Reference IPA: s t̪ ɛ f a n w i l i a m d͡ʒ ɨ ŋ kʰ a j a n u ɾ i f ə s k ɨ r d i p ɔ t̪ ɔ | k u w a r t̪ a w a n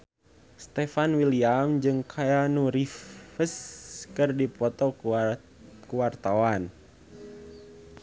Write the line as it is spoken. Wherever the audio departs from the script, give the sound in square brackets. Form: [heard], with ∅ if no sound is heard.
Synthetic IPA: s t̪ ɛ f a n w i l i a m d͡ʒ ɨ ŋ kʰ a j a n u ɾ i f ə s k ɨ r d i p ɔ t̪ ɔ | k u w a r t̪ a w a n

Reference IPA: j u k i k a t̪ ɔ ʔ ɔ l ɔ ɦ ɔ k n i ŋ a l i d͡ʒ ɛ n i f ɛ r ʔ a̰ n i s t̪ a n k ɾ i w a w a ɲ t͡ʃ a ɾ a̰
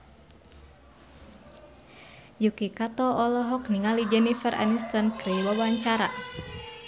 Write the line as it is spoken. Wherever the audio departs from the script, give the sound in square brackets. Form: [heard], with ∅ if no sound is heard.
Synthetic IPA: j u k i k a t̪ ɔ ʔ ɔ l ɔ ɦ ɔ k n i ŋ a l i d͡ʒ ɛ n i f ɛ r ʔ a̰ n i s t̪ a n k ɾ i w a w a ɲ t͡ʃ a ɾ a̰

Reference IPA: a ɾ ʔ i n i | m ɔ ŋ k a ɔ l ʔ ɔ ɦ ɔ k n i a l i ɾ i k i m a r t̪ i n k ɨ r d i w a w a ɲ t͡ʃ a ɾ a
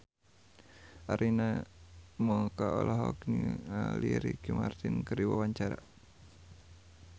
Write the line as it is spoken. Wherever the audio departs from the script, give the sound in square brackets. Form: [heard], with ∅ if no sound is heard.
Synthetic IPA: a ɾ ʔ i n [a] | m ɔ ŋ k a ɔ l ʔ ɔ ɦ ɔ k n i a l i ɾ i k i m a r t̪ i n k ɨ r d i w a w a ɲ t͡ʃ a ɾ a

